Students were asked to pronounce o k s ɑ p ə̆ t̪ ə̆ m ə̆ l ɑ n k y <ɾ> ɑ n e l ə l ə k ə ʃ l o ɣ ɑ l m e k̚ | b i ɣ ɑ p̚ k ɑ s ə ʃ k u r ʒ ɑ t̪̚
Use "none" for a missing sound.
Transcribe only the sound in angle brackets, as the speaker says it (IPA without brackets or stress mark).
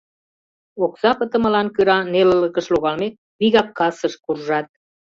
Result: ɾ